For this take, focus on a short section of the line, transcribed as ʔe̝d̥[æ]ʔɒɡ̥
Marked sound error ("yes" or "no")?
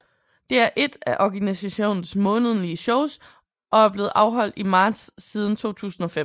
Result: no